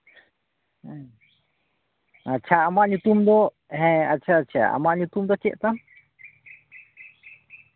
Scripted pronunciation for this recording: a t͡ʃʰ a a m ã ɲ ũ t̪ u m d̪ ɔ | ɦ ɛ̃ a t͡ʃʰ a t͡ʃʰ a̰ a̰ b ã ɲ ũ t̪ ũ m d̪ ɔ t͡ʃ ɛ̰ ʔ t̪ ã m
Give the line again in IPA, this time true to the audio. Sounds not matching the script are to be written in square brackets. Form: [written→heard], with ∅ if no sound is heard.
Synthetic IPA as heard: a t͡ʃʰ a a m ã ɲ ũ t̪ u m d̪ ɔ | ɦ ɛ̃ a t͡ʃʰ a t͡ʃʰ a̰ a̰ [b→m] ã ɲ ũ t̪ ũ m d̪ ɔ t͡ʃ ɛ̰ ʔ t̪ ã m

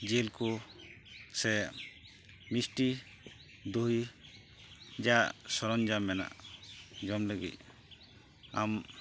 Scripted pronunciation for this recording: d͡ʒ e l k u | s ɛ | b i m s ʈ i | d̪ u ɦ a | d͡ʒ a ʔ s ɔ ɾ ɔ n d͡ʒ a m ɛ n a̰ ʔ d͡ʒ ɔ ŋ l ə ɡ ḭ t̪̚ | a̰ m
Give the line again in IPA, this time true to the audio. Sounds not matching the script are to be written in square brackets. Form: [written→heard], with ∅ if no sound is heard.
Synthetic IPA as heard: d͡ʒ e l k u | s ɛ | [b→m] i [m→∅] s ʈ i | d̪ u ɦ [a→i] | d͡ʒ a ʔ s ɔ ɾ ɔ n d͡ʒ a m ɛ n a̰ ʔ d͡ʒ ɔ [ŋ→m] l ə ɡ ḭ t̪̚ | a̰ m

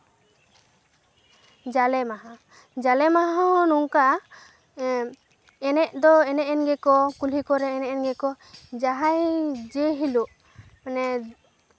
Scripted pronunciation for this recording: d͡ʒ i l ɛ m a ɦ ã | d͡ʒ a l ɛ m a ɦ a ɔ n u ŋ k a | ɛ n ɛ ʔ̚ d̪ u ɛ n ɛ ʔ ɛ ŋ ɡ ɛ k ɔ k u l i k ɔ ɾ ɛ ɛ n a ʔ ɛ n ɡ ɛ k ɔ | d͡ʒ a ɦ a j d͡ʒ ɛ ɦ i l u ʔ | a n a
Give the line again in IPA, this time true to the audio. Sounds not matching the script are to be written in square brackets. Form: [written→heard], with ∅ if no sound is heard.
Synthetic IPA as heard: d͡ʒ [i→a] l ɛ m a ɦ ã | d͡ʒ a l ɛ m a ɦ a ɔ n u ŋ k a | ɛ n ɛ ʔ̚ d̪ [u→ɔ] ɛ n ɛ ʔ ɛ [ŋ→n] ɡ ɛ k ɔ k u l i k ɔ ɾ ɛ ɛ n [a→ɛ] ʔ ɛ n ɡ ɛ k ɔ | d͡ʒ a ɦ a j d͡ʒ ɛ ɦ i l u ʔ | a n [a→ɛ]

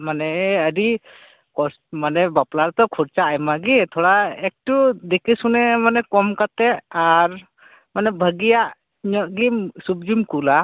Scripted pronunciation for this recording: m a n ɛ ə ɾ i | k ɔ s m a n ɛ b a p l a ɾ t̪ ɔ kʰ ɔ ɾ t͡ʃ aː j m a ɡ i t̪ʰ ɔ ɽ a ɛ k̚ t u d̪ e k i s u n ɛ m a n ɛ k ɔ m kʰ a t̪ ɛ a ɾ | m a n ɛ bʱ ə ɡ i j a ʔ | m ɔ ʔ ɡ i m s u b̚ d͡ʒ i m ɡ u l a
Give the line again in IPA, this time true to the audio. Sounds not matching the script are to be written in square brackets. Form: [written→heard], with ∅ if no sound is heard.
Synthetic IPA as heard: m a n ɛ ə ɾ i | k ɔ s m a n ɛ b a p l a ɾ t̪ ɔ kʰ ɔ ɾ t͡ʃ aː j m a ɡ i t̪ʰ ɔ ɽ a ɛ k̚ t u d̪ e k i s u n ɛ m a n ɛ k ɔ m [kʰ→k] a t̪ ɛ a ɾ | m a n ɛ bʱ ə ɡ i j a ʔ | [m→ɲ] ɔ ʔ ɡ i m s u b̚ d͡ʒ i m [ɡ→k] u l a

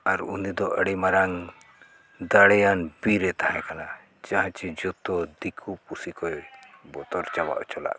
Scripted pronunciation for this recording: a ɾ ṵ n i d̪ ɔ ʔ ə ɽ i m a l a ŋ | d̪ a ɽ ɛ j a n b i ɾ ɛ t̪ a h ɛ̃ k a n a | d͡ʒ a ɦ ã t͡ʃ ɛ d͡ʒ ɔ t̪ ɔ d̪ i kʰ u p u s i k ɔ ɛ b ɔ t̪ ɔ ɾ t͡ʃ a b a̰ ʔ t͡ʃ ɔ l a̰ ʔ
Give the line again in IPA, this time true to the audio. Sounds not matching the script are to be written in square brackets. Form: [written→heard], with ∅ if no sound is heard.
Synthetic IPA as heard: a ɾ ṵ n i d̪ ɔ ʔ ə ɽ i m a [l→ɾ] a ŋ | d̪ a ɽ ɛ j a n b i ɾ ɛ t̪ a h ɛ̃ k a n a | d͡ʒ a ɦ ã t͡ʃ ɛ d͡ʒ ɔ t̪ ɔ d̪ i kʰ u p u s i k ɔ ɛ b ɔ t̪ ɔ ɾ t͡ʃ a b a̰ ʔ t͡ʃ ɔ l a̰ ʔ

